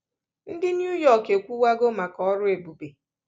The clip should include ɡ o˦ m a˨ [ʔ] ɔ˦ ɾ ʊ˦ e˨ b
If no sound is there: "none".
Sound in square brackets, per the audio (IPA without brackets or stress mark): k